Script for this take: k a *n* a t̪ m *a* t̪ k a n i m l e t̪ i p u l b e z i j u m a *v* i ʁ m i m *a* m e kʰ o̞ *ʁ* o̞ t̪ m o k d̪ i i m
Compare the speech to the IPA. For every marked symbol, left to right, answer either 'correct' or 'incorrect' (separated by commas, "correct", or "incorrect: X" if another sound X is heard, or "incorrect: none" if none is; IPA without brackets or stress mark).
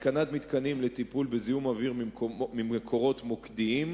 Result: correct, incorrect: i, correct, incorrect: i, correct